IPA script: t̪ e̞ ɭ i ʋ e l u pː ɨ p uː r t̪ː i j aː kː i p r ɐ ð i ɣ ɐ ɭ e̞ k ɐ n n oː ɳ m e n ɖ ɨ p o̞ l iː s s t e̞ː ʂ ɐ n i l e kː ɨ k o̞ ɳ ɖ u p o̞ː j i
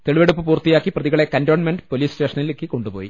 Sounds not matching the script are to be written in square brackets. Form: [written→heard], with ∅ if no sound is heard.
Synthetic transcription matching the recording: t̪ e̞ ɭ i ʋ e [l→ɽ] u pː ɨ p uː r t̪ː i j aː kː i p r ɐ ð i ɣ ɐ ɭ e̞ k ɐ n [n→d] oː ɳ m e n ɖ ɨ p o̞ l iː s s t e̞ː ʂ ɐ n i l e kː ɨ k o̞ ɳ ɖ u p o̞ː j i